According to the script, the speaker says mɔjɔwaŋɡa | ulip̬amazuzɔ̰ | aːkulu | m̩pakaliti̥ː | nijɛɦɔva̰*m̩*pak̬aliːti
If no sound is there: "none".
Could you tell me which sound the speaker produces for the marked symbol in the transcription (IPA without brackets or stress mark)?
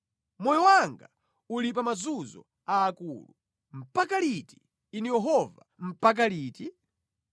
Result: m̩